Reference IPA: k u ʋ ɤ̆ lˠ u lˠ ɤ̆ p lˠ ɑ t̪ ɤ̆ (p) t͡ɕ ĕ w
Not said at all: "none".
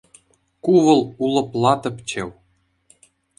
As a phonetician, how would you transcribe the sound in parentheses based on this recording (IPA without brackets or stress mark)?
p